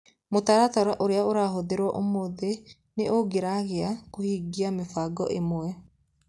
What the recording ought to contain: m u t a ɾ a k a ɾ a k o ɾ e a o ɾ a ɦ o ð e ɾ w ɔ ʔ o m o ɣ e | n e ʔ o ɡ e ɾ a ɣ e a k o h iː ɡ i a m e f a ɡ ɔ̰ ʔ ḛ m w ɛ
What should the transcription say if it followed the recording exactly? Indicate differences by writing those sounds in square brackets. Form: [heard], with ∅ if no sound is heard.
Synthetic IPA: m [o] t a ɾ a [t] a ɾ a [ʔ] o ɾ e a o ɾ a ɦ o ð e ɾ w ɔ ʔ o m o [ð] e | n e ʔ o ɡ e ɾ a ɣ e a k o h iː ɡ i a m e f a ɡ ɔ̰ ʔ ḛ m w ɛ